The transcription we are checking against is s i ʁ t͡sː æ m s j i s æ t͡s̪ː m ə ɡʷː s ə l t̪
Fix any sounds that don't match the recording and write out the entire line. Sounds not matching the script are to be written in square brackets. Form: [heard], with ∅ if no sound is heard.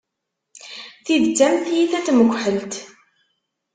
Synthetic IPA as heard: [θ] i [ð] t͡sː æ m [θ] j i [θ] æ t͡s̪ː m ə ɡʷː [ħ] ə l t̪